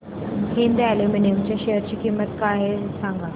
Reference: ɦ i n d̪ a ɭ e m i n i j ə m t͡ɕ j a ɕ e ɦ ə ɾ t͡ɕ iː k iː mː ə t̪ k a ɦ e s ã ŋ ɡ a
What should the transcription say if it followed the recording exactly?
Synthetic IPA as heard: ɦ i n d̪ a l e m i n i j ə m t͡ɕ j a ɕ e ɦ ə ɾ t͡ɕ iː k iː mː ə t̪ k a ɦ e s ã ŋ ɡ a

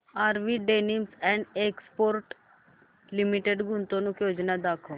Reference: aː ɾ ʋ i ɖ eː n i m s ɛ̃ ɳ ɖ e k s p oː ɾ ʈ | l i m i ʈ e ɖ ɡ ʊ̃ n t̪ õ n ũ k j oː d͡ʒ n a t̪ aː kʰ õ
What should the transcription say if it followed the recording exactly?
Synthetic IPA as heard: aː ɾ ʋ i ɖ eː n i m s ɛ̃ ɳ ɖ e k s p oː ɾ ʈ | l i m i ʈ e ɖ ɡ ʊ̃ n t̪ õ n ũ k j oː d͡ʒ n a d̪ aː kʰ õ

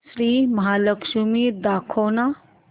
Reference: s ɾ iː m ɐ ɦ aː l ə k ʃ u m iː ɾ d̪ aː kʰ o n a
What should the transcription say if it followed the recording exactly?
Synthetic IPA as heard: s ɾ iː m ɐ ɦ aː l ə k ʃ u m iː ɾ d̪ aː kʰ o n a

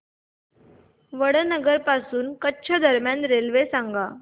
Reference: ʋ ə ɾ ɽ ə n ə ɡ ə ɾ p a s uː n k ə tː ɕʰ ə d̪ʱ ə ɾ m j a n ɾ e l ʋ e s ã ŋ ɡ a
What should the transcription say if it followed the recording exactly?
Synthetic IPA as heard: ʋ ə ɽ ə n ə ɡ ə ɾ p a s uː n k ə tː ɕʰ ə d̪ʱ ə ɾ m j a n ɾ e l ʋ e s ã ŋ ɡ a

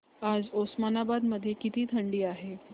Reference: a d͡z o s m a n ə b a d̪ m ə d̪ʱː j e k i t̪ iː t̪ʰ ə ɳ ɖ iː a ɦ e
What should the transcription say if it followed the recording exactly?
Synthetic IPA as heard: a d͡z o s m a n a b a d̪ m ə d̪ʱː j e k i t̪ iː t̪ʰ ə ɳ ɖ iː a ɦ e

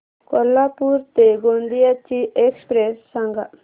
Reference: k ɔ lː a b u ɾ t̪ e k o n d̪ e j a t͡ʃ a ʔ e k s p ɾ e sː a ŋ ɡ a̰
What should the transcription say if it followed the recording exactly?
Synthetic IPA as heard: k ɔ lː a p u ɾ t̪ e ɡ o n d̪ i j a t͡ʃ i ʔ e k s p ɾ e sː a ŋ ɡ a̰

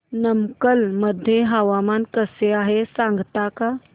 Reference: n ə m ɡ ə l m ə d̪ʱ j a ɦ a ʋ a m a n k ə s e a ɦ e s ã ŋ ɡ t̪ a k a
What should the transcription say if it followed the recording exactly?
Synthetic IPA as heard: n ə m k ə l m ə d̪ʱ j e ɦ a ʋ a m a n k ə s e a ɦ e s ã ŋ ɡ t̪ a k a

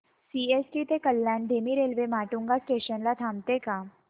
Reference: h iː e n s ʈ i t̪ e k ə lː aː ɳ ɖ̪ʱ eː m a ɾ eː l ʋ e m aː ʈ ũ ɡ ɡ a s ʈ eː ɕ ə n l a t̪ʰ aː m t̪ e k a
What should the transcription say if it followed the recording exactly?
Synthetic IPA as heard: s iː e s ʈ i t̪ e k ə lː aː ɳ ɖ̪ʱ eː m i ɾ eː l ʋ e m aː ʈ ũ ŋ ɡ a s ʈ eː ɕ ə n l a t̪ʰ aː m t̪ e k a

